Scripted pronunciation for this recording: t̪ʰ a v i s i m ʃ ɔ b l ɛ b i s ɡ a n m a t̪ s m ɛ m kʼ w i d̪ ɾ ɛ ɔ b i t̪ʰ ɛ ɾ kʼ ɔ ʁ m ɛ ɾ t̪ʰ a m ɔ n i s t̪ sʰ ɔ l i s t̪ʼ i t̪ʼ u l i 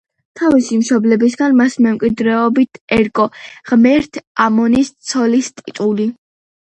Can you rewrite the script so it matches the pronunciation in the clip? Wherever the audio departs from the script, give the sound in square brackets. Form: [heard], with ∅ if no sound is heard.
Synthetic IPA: t̪ʰ a v i s i m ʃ ɔ b l ɛ b i s ɡ a n m a [∅] s m ɛ m kʼ w i d̪ ɾ ɛ ɔ b i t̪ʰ ɛ ɾ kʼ ɔ ʁ m ɛ ɾ t̪ʰ a m ɔ n i s t̪ sʰ ɔ l i s t̪ʼ i t̪ʼ u l i